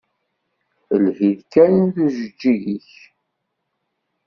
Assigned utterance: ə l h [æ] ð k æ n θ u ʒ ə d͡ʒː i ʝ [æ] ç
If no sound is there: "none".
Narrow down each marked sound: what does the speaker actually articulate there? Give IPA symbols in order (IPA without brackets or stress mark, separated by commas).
i, i